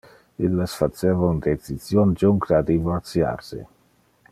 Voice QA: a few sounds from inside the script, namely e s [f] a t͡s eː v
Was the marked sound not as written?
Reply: no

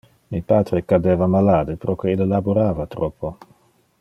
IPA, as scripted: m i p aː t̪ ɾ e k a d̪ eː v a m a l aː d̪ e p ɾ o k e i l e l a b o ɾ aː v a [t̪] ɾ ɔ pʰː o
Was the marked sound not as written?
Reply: no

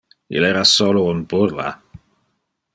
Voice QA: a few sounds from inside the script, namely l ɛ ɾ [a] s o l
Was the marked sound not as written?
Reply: no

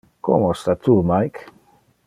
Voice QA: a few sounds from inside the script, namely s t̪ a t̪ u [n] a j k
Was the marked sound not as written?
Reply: yes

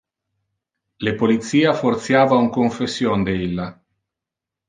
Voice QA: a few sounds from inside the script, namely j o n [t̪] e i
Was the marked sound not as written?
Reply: yes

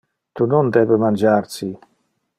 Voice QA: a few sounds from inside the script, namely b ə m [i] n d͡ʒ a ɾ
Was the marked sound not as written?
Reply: yes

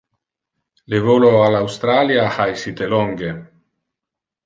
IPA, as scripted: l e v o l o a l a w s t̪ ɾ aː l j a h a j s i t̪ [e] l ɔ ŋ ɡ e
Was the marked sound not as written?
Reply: no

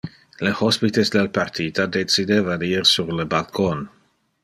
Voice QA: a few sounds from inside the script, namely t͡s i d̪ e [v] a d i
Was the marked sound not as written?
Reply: no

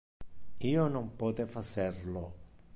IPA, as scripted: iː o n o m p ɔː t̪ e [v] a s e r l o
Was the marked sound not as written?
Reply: yes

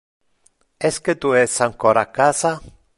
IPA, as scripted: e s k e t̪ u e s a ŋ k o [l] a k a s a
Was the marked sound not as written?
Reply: yes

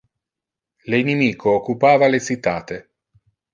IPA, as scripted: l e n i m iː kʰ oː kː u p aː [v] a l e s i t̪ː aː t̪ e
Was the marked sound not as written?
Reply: no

